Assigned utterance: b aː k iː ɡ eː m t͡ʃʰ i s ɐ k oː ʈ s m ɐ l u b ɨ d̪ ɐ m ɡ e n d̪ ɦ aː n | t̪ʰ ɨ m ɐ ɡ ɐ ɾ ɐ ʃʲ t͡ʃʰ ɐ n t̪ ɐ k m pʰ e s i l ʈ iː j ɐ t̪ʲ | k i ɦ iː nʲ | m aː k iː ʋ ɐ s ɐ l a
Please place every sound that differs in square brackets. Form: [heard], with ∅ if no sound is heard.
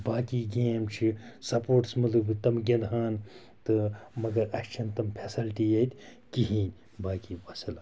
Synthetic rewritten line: b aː k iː ɡ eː m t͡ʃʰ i s ɐ [p] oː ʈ s m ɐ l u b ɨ [t̪] ɐ m ɡ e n d̪ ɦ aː n | [t̪] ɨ m ɐ ɡ ɐ ɾ ɐ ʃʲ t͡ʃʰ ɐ n t̪ ɐ [∅] m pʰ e s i l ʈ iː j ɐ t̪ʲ | k i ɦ iː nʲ | [b] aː k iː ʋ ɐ s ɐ l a